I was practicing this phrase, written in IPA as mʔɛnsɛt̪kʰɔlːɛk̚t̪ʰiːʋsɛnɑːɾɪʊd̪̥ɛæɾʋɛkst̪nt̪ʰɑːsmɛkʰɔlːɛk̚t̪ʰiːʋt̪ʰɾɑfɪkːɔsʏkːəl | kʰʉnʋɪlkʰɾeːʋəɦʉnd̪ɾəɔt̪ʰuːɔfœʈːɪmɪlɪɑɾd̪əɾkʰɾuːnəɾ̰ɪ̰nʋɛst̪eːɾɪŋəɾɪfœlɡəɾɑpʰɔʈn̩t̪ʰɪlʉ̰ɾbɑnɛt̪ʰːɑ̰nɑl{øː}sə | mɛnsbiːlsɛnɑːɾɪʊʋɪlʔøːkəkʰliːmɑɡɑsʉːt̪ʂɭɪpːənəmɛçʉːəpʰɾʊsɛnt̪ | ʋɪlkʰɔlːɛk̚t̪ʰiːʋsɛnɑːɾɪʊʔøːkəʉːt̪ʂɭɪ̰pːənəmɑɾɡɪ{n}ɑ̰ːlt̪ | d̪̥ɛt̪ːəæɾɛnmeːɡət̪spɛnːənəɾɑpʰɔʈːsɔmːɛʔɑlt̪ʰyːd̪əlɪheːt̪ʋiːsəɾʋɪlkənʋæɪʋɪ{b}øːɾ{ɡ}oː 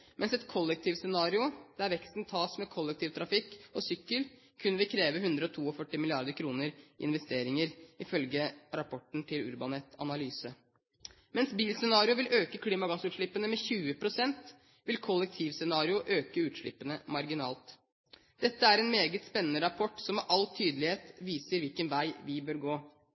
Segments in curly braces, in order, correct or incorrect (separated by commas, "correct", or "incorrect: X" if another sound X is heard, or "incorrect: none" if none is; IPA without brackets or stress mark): incorrect: yː, correct, correct, correct